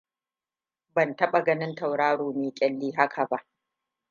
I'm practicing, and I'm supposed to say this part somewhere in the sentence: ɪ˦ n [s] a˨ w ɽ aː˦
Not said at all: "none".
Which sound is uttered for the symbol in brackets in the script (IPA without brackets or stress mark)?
t